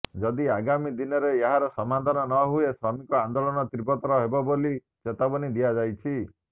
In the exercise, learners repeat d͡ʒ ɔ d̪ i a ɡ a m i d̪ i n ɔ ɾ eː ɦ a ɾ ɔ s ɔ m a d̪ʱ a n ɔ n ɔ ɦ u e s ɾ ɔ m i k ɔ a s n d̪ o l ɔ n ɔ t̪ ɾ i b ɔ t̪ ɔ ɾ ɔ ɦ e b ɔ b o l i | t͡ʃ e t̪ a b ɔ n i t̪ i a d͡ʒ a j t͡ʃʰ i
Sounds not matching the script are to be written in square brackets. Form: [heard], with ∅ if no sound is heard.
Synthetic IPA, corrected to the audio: d͡ʒ ɔ d̪ i a ɡ a m i d̪ i n ɔ ɾ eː ɦ a ɾ ɔ s ɔ m a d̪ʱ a n ɔ n ɔ ɦ u e s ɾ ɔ m i k ɔ a [∅] n d̪ o l ɔ n ɔ t̪ ɾ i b ɔ t̪ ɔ ɾ ɔ ɦ e b ɔ b o l i | t͡ʃ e t̪ a b ɔ n i [d̪] i a d͡ʒ a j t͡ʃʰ i

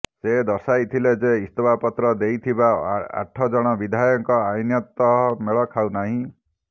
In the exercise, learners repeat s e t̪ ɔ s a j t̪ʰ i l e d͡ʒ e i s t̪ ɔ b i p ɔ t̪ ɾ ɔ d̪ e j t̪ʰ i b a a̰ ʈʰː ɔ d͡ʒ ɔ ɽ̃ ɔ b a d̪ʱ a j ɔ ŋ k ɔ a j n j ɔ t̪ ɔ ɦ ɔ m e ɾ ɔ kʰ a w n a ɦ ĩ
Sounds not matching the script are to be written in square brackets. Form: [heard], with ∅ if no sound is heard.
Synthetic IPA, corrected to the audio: s e [d̪] ɔ s a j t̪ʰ i l e d͡ʒ e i s t̪ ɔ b [a] p ɔ t̪ ɾ ɔ d̪ e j t̪ʰ i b a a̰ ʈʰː ɔ d͡ʒ ɔ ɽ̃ ɔ b [i] d̪ʱ a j ɔ ŋ k ɔ a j n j ɔ t̪ ɔ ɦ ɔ m e [ɭ] ɔ kʰ a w n a ɦ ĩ

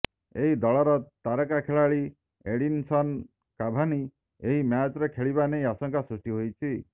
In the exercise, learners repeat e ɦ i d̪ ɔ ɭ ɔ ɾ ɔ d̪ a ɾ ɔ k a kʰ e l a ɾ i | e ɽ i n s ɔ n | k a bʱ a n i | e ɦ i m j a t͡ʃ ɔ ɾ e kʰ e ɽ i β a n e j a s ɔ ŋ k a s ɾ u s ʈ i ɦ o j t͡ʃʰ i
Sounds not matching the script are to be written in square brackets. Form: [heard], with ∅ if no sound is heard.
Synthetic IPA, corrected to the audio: e ɦ i d̪ ɔ ɭ ɔ ɾ ɔ [t̪] a ɾ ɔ k a kʰ e [ɭ] a [ɭ] i | e ɽ i n s ɔ n | k a bʱ a n i | e ɦ i m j a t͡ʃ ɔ ɾ e kʰ e [ɭ] i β a n e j a s ɔ ŋ k a s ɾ u s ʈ i ɦ o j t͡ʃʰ i

